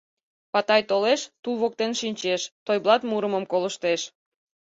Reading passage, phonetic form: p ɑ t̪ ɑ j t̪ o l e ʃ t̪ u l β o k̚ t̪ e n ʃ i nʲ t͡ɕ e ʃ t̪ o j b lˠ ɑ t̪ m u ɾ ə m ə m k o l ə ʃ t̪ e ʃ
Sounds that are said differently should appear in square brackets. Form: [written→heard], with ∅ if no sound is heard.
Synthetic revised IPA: p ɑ t̪ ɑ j t̪ o l e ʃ t̪ u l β o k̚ t̪ e n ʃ i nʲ t͡ɕ e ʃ t̪ o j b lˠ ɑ t̪ m u ɾ ə m ə m k o l ə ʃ t̪ e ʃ